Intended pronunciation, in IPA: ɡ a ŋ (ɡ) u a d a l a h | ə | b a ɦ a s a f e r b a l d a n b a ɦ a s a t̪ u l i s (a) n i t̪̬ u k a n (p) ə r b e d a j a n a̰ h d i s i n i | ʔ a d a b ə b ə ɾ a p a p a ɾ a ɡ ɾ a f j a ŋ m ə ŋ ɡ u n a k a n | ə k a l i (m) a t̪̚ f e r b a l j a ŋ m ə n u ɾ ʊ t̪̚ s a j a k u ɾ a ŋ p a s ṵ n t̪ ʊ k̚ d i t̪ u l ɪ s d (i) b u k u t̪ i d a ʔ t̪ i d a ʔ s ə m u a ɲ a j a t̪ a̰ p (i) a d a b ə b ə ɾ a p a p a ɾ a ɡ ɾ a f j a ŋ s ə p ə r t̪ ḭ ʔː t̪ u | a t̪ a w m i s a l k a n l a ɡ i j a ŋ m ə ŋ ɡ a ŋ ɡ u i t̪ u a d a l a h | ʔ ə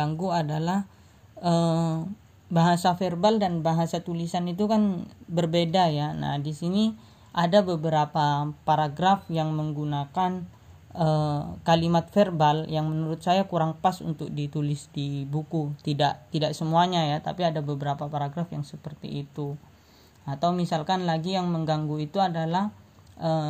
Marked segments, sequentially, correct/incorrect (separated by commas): correct, correct, incorrect, correct, correct, correct